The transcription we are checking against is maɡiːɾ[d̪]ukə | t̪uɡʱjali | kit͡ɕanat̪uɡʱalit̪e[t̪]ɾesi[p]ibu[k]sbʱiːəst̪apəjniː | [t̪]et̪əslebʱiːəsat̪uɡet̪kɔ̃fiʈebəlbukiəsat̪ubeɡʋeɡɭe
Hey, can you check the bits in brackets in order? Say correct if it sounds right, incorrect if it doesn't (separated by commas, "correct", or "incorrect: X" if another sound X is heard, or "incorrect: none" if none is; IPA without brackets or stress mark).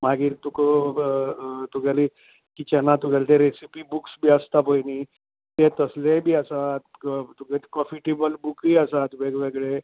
incorrect: t̪, incorrect: none, correct, correct, correct